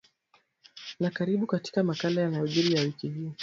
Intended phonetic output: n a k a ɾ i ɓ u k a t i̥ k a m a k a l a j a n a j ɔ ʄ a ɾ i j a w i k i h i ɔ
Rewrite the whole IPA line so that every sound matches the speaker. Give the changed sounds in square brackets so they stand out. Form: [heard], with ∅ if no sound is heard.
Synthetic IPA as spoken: n a k a ɾ i ɓ u k a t i̥ k a m a k a l a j a n a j ɔ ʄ [i] ɾ i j a w i k i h i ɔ

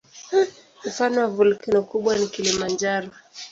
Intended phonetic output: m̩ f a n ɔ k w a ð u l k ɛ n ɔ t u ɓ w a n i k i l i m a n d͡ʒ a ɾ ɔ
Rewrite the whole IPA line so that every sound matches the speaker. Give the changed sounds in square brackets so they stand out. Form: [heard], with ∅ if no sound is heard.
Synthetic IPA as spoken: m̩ f a n ɔ [∅] w a [v] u l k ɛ n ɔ [k] u ɓ w a n i k i l i m a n d͡ʒ a ɾ ɔ

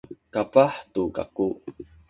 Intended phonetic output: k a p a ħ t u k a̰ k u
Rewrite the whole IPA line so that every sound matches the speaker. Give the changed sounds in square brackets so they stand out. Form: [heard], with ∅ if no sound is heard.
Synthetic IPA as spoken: k a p a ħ t u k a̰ k u

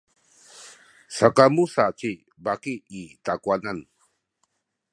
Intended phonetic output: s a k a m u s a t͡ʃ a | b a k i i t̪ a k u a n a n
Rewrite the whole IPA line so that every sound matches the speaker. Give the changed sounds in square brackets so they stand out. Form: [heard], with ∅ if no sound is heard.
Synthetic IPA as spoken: s a k a m u s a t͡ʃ [i] | b a k i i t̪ a k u a n a n

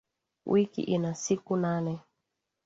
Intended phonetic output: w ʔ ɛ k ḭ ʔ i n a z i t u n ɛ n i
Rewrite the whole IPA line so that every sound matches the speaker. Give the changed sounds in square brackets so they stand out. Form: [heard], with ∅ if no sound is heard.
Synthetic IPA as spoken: w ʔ [i] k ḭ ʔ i n a [s] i [k] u n [a] n [ɛ]

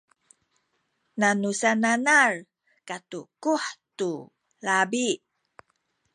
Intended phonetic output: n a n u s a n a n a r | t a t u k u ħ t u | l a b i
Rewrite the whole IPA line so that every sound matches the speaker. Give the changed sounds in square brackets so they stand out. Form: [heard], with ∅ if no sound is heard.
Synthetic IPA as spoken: n a n u s a n a n a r | [k] a t u k u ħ t u | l a b i

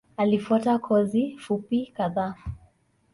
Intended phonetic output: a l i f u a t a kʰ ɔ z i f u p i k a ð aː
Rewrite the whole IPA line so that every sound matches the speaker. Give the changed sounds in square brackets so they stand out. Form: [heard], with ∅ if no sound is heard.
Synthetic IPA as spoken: a l i f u a t a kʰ ɔ z i f u p i k a ð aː

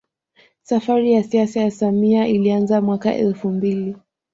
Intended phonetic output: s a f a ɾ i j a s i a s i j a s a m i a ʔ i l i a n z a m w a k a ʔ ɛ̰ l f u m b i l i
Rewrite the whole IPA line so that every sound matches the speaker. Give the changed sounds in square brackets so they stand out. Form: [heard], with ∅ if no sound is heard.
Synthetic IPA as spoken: s a f a ɾ i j a s i a s [a] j a s a m i a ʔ i l i a n z a m w a k a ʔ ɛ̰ l f u m b i l i

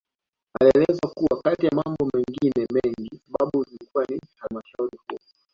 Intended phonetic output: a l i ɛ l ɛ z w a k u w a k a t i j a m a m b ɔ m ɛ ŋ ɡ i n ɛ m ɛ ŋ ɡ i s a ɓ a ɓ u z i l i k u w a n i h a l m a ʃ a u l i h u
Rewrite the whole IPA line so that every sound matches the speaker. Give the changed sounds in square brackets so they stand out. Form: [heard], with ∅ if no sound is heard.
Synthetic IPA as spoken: a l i ɛ l ɛ z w a k u w a k a t i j a m a m b ɔ m ɛ ŋ ɡ i n ɛ m ɛ ŋ ɡ i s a ɓ a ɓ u z i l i k u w a n i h a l m a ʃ a u [ɾ] i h u

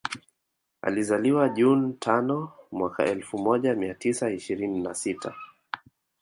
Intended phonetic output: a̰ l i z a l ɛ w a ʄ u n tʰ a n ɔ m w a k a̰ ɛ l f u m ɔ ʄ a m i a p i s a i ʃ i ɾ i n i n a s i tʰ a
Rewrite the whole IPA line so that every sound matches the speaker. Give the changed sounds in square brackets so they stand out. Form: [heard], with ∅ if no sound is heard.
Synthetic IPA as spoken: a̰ l i z a l [i] w a ʄ u n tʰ a n ɔ m w a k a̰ ɛ l f u m ɔ ʄ a m i a [t] i s a i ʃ i ɾ i n i n a s i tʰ a

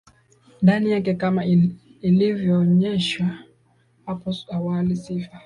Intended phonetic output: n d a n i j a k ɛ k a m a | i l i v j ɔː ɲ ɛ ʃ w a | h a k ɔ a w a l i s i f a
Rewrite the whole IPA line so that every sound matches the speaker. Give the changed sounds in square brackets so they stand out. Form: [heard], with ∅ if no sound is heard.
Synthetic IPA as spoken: n d a n i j a k ɛ k a m a | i l i v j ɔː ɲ ɛ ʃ w a | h a [p] ɔ a w a l i s i f a

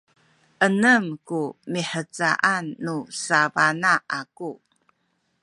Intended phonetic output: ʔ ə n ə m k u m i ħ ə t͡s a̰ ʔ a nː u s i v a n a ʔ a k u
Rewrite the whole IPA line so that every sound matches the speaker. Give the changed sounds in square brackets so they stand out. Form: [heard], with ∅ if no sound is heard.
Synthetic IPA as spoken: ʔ ə n ə m k u m i ħ ə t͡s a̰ ʔ a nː u s [a] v a n a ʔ a k u

